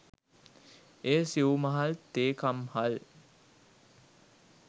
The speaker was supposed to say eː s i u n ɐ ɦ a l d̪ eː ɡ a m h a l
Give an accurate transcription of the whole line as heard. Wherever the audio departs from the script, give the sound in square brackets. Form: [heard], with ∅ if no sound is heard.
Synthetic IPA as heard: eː s i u [m] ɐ ɦ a l [t̪] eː [k] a m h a l